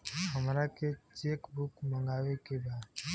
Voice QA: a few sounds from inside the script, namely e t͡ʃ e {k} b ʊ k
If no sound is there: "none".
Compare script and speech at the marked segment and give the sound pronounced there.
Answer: k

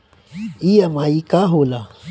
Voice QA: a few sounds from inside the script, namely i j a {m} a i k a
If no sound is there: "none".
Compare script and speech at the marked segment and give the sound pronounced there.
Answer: m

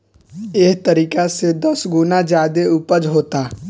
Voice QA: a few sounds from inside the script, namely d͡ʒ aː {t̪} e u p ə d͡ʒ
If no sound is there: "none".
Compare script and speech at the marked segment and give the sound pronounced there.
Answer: d̪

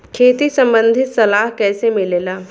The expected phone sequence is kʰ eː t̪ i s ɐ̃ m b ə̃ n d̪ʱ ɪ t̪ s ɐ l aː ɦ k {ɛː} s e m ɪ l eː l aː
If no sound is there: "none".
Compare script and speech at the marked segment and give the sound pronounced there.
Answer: ɛː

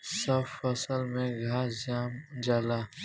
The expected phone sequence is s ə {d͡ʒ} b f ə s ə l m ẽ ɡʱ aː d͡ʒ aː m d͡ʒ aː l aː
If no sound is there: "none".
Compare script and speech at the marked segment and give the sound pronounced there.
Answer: none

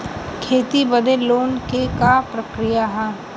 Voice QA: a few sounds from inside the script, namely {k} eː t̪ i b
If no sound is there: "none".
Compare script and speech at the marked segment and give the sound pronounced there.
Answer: kʰ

